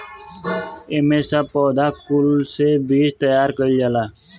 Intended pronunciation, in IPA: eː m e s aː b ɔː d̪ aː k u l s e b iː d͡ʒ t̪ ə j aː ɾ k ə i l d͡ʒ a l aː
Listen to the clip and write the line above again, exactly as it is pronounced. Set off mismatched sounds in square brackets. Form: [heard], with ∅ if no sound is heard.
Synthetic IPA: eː m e s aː [p] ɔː d̪ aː k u l s e b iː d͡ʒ t̪ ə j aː ɾ k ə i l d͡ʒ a l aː